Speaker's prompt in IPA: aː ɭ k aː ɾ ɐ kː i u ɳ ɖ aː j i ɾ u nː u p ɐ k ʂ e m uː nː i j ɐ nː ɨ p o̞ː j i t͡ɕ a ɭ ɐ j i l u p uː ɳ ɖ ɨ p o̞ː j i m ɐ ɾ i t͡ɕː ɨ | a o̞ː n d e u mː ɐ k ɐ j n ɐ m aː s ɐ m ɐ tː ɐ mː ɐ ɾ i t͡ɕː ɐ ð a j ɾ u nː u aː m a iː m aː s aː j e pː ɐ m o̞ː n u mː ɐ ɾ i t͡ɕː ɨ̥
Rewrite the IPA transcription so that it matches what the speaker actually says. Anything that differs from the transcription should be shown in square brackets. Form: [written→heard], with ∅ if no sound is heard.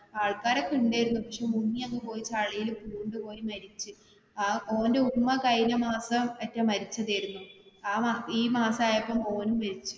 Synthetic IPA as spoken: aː ɭ k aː ɾ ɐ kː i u ɳ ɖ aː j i ɾ u nː u p ɐ k ʂ e m [uː→u] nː i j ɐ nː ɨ p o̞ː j i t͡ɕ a ɭ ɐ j i l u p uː ɳ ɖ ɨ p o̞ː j i m ɐ ɾ i t͡ɕː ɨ | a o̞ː n d e u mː ɐ k ɐ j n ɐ m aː s ɐ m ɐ tː ɐ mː ɐ ɾ i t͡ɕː ɐ ð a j ɾ u nː u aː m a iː m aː s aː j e pː ɐ m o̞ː n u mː ɐ ɾ i t͡ɕː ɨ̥